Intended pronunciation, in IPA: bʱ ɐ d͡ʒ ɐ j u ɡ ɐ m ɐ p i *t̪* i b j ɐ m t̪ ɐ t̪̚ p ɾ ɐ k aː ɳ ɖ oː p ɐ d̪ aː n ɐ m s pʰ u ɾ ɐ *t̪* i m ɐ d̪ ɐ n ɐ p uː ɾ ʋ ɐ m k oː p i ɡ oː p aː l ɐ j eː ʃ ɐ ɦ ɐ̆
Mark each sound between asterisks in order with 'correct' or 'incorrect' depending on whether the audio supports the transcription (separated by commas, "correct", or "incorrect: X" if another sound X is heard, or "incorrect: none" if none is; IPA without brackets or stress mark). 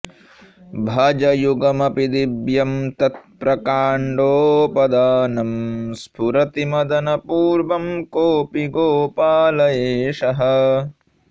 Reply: incorrect: d̪, correct